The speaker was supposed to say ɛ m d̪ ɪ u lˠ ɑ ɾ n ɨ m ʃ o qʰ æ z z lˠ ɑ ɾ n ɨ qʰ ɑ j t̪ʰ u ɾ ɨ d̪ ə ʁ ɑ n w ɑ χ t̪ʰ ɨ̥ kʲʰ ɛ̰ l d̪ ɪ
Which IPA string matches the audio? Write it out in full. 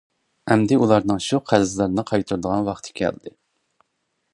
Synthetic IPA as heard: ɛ m d̪ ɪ u lˠ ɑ ɾ n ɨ ŋ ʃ u qʰ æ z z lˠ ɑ ɾ n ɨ qʰ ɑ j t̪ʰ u ɾ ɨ d̪ ə ʁ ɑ n w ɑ χ t̪ʰ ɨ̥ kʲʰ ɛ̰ l d̪ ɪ